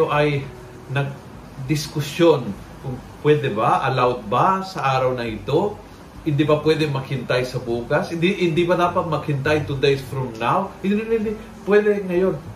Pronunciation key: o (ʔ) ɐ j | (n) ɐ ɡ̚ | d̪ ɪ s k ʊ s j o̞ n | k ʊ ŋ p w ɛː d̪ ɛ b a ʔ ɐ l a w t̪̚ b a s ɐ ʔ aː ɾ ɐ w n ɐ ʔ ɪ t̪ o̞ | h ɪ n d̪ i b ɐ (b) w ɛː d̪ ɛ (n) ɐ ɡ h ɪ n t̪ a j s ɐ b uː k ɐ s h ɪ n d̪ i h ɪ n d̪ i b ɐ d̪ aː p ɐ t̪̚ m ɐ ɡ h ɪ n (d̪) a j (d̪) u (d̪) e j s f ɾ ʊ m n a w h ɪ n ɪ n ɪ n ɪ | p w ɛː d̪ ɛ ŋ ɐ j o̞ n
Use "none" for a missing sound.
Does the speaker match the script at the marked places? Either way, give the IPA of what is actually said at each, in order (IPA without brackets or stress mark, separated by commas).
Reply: ʔ, n, p, m, t̪, t̪, d̪